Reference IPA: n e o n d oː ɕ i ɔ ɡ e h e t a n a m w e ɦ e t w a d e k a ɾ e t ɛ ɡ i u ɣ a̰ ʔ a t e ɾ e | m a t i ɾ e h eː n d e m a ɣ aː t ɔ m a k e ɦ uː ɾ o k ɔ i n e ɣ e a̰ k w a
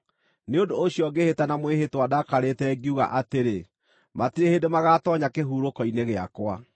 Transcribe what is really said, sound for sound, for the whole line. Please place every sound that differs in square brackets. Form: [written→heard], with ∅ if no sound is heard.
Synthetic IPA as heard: n e o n d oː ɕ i ɔ ɡ e h e t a n a m w e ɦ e t w a d [e→a] k a ɾ e t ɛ ɡ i u ɣ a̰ ʔ a t e ɾ e | m a t i ɾ e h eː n d e m a ɣ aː t ɔ [m→ɲ] a k e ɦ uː ɾ o k ɔ i n e ɣ e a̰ k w a